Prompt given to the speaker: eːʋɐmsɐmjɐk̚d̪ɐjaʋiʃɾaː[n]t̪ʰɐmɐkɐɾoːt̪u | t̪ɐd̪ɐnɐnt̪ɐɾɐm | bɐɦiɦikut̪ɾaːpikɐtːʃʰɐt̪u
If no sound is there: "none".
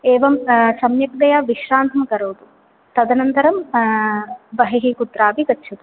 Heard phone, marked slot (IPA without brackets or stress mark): n